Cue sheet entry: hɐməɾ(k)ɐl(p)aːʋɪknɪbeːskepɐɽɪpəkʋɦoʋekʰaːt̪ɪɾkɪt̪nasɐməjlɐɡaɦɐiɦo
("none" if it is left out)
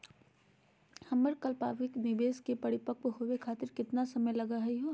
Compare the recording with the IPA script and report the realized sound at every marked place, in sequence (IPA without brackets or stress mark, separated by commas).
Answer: k, p